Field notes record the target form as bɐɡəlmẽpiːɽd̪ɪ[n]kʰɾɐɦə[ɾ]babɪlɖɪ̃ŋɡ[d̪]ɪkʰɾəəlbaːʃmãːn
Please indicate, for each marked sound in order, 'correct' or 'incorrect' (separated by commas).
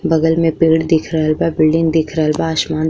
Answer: incorrect, incorrect, correct